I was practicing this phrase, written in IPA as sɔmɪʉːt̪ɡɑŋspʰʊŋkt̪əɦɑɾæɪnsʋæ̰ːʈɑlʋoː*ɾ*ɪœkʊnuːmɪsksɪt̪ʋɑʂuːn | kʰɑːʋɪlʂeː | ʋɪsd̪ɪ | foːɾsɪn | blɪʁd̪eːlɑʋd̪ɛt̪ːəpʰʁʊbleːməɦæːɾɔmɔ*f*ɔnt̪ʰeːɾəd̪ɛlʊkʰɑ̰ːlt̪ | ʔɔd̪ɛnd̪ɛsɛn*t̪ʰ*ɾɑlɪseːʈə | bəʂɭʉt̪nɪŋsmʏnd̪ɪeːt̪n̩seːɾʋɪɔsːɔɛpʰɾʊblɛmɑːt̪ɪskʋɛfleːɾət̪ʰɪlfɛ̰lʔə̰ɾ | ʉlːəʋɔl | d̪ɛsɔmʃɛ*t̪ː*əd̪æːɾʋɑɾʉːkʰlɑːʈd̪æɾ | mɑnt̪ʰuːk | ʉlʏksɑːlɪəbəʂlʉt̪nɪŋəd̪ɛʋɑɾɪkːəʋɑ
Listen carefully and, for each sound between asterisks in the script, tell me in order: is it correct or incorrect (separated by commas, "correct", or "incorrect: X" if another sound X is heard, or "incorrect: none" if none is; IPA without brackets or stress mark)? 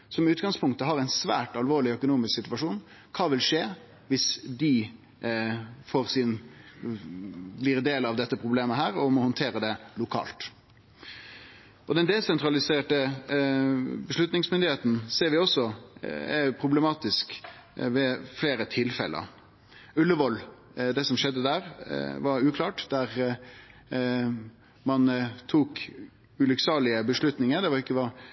incorrect: ɭ, incorrect: h, incorrect: t̪, incorrect: d̪ː